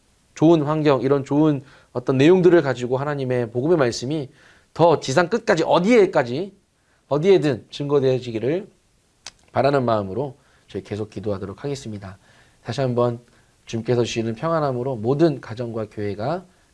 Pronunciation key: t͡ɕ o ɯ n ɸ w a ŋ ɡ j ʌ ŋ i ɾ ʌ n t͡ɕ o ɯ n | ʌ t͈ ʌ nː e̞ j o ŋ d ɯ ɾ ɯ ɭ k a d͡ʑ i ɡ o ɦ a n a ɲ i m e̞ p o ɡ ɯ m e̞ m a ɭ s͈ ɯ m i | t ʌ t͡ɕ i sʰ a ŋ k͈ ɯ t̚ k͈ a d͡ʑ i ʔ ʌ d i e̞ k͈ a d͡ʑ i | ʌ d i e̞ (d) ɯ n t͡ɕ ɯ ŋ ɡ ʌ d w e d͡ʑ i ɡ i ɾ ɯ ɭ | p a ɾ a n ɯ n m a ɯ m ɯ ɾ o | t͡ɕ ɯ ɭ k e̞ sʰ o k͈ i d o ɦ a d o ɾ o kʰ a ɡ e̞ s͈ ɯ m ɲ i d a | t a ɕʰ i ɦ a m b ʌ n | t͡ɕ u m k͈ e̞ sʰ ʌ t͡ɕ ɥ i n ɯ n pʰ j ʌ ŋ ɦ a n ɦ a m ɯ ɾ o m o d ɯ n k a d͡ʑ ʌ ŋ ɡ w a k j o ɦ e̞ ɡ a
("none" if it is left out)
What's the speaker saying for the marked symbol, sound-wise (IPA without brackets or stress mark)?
d